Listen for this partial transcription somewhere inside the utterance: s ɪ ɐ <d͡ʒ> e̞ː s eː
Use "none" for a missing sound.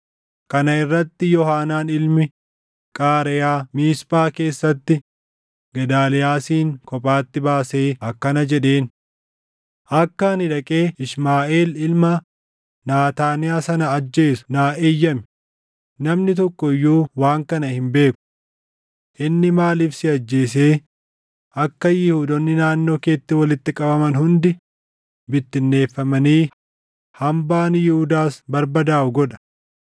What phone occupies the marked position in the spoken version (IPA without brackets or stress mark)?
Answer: d͡ʒː